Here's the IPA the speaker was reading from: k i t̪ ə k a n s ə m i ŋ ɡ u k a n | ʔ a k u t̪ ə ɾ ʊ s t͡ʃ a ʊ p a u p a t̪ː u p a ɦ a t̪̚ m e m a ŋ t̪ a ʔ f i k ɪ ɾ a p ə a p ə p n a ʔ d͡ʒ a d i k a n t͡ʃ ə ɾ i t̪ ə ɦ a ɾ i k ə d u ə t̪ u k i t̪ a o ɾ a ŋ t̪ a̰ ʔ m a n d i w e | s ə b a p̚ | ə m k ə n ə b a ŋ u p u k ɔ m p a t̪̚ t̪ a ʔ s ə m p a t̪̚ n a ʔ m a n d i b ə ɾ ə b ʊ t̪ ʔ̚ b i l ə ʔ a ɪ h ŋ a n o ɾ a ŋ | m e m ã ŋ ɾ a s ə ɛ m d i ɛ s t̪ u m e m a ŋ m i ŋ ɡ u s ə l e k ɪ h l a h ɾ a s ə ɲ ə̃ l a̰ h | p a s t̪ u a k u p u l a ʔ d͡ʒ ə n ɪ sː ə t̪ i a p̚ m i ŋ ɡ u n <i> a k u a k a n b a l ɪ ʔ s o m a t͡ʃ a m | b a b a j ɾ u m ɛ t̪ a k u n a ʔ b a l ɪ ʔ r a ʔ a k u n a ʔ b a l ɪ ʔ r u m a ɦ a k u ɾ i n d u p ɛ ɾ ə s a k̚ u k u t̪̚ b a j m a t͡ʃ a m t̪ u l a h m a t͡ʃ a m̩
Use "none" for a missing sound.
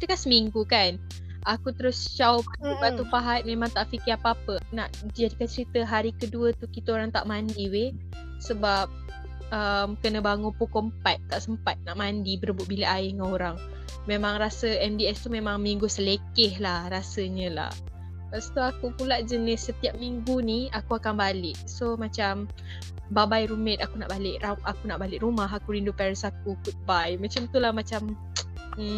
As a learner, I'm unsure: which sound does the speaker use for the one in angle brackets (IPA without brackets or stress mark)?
i